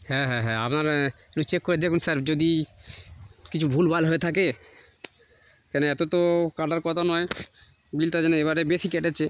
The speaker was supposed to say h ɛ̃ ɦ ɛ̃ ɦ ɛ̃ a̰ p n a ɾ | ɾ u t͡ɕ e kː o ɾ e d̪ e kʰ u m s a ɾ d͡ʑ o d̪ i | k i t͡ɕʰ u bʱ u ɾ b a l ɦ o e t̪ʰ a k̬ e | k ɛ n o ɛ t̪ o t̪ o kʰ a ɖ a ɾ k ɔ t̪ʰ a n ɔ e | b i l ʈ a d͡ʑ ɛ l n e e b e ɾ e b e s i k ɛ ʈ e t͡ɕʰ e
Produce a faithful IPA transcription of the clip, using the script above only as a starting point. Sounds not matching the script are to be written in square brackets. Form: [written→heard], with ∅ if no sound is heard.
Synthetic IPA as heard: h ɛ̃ ɦ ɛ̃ ɦ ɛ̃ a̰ p n a ɾ | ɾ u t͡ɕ e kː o ɾ e d̪ e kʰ u [m→n] s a ɾ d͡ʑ o d̪ i | k i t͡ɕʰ u bʱ u [ɾ→l] b a l ɦ o e t̪ʰ a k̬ e | k ɛ n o ɛ t̪ o t̪ o [kʰ→k] a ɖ a ɾ k ɔ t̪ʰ a n ɔ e | b i l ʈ a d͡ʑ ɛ [l→∅] n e e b [e→a] ɾ e b e s i k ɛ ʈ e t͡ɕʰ e